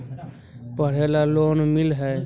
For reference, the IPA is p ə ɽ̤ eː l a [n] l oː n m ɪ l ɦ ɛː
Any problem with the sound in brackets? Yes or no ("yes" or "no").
yes